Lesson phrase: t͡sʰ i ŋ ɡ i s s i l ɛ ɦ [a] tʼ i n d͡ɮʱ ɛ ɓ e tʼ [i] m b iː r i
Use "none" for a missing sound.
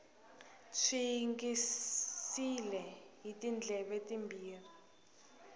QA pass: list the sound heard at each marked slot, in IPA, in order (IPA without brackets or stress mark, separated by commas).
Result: i, i